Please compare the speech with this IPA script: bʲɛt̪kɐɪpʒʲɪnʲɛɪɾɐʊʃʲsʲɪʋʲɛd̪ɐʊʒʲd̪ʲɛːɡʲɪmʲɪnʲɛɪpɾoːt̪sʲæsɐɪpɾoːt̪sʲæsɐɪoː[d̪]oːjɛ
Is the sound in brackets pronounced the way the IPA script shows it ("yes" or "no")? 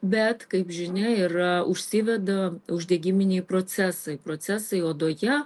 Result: yes